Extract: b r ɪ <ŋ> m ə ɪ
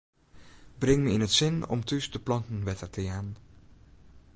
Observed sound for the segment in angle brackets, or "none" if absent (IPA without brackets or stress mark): ŋ